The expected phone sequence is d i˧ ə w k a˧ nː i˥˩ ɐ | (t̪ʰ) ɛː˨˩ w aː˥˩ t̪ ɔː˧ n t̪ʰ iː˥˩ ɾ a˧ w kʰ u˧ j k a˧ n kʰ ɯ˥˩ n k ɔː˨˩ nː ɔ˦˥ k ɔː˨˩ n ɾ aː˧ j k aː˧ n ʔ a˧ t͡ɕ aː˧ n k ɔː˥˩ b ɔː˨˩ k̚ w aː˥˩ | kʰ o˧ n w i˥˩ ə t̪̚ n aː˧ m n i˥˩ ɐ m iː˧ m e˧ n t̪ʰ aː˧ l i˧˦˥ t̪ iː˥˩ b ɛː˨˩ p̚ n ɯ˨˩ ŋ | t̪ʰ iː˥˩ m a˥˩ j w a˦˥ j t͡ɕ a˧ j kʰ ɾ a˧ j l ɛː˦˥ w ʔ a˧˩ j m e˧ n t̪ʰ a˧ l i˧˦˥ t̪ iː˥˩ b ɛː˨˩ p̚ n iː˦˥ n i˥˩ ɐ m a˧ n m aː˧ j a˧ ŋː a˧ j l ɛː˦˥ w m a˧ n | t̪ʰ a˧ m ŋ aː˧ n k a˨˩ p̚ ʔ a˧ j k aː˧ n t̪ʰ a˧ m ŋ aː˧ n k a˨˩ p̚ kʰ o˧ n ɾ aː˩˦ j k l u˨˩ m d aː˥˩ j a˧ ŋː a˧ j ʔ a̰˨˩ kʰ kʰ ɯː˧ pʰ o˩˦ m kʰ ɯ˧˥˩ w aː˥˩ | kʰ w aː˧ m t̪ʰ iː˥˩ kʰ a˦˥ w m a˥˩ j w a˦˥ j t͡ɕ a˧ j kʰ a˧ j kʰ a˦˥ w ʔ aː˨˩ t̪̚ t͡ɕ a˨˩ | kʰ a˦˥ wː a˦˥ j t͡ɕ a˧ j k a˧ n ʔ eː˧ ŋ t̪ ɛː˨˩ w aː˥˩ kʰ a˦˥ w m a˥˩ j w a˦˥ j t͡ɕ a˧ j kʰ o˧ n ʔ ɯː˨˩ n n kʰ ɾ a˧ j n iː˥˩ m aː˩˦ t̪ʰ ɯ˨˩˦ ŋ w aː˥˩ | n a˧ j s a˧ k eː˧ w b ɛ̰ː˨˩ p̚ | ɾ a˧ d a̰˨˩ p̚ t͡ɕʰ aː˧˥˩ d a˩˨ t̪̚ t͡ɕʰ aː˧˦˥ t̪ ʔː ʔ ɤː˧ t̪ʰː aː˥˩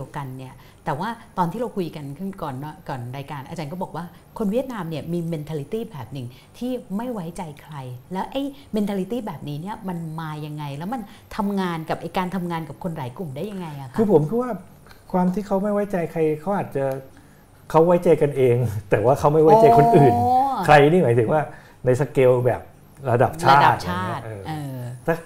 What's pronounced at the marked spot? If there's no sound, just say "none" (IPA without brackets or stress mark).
t̪